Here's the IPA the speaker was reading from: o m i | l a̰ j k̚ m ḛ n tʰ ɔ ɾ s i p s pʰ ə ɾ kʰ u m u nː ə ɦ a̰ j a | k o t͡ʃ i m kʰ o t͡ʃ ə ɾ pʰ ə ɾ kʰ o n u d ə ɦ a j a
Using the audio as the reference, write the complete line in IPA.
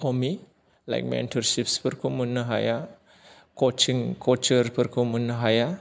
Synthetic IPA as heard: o m i | l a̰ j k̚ m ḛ n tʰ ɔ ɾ s i p s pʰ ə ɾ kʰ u m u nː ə ɦ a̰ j a | k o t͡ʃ i ŋ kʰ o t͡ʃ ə ɾ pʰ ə ɾ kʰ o m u n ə ɦ a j a